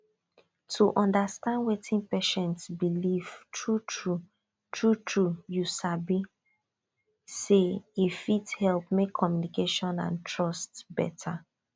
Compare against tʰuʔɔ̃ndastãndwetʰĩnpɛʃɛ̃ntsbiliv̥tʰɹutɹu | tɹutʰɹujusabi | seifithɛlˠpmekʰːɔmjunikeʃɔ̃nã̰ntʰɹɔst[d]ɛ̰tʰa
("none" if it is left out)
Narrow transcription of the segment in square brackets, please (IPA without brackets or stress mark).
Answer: b